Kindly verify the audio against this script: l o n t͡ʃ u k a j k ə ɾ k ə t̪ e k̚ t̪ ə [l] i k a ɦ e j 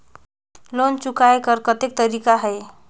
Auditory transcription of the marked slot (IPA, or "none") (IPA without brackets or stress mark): ɾ